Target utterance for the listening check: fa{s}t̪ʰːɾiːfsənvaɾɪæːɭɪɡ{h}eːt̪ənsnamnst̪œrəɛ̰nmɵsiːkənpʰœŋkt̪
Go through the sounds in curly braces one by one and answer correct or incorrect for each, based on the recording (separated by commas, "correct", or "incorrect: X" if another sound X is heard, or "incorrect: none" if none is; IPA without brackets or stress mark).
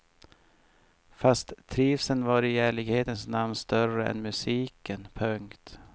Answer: correct, correct